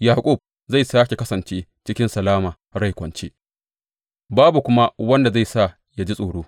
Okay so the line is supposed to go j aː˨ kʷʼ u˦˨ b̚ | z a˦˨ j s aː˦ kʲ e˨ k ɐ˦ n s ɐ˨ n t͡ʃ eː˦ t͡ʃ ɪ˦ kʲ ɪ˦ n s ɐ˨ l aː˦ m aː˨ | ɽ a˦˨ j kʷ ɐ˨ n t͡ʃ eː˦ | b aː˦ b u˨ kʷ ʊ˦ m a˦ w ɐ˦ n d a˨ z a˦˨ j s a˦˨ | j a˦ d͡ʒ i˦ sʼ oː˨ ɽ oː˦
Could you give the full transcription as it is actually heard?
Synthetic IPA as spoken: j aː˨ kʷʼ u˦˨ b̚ | z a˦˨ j s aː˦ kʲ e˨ k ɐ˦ s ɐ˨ n t͡ʃ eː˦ t͡ʃ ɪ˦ kʲ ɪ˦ n s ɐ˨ l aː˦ m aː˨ | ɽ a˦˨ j kʷ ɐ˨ n t͡ʃ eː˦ | b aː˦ b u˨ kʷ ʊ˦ m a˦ w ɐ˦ n d a˨ z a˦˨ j s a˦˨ | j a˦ d͡ʒ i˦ sʼ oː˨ ɽ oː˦